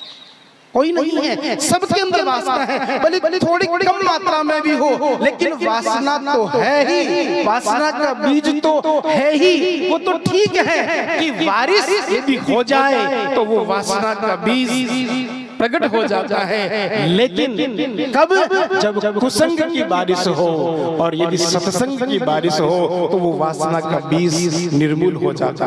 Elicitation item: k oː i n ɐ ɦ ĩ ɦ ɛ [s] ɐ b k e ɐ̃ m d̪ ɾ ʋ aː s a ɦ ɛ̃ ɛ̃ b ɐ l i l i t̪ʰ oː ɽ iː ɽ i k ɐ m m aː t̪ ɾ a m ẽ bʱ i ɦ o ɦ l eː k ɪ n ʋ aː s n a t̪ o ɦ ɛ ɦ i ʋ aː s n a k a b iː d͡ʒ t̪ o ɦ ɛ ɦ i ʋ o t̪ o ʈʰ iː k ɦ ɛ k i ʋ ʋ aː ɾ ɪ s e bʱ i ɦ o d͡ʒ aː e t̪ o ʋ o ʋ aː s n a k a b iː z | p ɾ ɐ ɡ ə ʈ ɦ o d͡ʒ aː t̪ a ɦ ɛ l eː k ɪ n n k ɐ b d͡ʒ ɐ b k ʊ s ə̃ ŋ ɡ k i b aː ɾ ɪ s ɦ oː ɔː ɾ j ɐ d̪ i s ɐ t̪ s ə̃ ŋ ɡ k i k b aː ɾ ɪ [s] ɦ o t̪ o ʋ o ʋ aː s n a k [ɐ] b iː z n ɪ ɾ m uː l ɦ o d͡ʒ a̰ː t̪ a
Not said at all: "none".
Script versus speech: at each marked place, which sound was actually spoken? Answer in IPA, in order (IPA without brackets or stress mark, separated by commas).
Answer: s, s, a